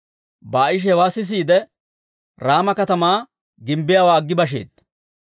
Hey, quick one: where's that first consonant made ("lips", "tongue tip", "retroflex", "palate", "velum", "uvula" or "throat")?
lips